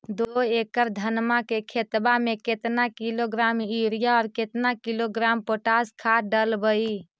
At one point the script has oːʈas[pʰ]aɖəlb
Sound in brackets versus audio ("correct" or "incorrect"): incorrect